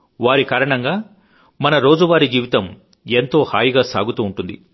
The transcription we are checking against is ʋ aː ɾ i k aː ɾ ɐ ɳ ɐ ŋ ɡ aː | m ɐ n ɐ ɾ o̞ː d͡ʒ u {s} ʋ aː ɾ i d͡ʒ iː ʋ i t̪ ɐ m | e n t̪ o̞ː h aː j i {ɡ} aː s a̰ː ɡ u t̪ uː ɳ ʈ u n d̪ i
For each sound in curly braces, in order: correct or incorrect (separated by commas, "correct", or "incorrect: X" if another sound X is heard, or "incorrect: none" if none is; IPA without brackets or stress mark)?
incorrect: none, correct